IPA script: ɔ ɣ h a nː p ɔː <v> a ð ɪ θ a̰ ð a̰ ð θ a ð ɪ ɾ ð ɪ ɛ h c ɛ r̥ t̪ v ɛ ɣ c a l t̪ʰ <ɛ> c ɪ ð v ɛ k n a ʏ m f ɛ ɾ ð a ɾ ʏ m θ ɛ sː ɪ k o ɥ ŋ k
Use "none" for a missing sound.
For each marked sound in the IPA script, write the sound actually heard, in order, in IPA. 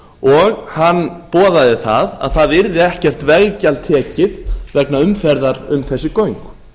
ð, ɛː

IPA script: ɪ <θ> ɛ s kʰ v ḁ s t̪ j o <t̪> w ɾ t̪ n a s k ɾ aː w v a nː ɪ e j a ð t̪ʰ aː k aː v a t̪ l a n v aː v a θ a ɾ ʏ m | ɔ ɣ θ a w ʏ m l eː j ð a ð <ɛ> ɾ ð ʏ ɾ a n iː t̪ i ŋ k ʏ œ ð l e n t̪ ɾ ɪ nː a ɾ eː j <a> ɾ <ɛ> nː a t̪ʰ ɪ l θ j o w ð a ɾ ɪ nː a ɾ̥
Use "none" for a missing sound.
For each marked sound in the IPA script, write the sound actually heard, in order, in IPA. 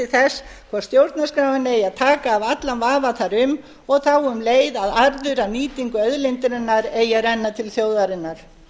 θ, none, a, a, ɛ

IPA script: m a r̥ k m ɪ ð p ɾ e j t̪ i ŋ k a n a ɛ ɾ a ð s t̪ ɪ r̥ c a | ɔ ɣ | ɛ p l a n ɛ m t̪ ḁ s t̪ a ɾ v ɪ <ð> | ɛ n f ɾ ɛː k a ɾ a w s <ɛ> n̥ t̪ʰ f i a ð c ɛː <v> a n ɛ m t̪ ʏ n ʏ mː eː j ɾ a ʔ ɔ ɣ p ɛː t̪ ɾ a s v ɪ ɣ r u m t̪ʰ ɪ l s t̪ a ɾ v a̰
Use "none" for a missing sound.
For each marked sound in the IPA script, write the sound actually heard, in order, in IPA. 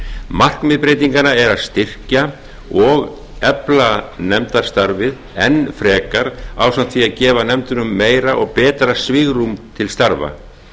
ð, a, v

